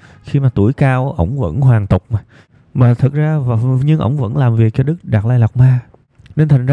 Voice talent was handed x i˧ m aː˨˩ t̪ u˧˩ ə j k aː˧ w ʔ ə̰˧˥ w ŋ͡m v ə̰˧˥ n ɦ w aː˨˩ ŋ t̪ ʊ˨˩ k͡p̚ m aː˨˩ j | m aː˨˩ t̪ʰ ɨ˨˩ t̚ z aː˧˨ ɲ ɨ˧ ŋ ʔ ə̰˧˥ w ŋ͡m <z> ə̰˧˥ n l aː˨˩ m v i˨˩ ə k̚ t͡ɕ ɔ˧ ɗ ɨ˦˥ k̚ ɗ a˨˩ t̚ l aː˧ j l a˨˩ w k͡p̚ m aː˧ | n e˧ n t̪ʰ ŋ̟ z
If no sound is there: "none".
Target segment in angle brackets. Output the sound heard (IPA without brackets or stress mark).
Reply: v